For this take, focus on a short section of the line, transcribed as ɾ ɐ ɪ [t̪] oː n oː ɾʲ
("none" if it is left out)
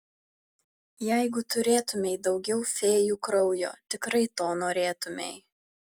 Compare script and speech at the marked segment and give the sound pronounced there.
t̪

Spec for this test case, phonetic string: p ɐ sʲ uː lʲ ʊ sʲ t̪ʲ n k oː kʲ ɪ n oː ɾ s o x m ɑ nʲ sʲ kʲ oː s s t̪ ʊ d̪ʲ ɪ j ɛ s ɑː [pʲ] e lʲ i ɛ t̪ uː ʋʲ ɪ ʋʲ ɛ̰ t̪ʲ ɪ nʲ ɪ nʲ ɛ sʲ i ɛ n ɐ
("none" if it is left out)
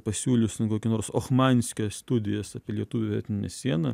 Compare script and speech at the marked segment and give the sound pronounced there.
pʲ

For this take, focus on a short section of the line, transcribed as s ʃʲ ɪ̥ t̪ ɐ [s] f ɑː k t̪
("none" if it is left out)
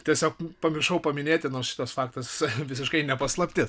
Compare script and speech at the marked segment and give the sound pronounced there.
s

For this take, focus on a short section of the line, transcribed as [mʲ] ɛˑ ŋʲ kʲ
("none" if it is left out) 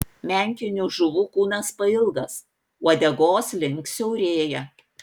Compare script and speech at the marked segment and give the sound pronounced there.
mʲ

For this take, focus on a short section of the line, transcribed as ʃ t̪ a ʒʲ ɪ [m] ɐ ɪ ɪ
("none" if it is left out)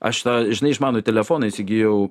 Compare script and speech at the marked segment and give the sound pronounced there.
n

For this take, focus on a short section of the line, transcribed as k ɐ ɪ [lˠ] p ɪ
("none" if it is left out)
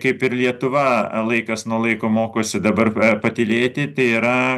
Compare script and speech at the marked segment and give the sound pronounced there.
none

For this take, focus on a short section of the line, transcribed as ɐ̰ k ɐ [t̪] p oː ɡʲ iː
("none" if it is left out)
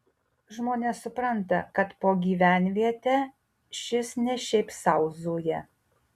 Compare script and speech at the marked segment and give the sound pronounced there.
t̪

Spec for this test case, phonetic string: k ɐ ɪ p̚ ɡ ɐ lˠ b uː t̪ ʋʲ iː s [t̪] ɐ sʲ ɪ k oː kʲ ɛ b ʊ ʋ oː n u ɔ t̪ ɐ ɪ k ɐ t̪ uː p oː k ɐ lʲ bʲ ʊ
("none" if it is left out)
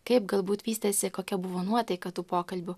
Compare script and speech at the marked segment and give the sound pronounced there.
t̪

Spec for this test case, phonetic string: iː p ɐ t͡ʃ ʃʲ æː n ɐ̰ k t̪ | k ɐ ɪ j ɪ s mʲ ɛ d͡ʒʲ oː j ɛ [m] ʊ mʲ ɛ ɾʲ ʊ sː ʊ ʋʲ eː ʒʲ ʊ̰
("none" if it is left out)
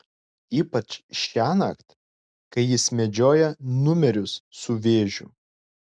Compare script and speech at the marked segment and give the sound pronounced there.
n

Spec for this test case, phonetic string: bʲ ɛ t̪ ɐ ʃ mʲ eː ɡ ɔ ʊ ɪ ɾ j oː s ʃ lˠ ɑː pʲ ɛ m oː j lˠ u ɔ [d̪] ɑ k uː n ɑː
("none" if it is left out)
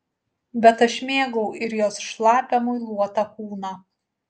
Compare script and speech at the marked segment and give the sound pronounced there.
t̪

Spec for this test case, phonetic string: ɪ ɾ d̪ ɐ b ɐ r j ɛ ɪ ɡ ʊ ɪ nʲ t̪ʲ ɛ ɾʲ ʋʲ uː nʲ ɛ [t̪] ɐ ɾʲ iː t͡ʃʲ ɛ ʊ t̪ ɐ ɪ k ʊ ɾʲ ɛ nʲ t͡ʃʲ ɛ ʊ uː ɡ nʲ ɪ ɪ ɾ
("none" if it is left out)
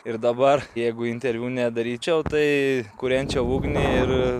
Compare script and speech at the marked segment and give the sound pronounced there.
d̪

